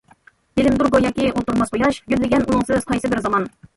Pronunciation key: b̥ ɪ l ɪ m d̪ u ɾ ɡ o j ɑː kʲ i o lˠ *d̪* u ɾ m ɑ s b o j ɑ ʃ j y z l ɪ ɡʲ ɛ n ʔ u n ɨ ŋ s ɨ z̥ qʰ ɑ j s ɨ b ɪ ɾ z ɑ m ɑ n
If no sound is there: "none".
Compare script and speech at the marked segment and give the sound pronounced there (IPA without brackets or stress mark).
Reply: t̪